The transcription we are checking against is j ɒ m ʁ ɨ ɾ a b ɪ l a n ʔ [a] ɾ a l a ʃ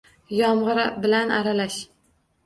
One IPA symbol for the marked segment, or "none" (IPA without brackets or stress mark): a